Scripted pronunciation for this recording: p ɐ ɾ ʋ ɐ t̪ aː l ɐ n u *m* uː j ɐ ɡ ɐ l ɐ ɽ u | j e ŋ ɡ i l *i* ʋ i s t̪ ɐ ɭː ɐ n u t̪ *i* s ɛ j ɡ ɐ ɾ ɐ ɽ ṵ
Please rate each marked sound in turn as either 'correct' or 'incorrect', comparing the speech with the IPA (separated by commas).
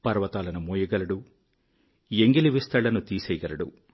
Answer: correct, correct, incorrect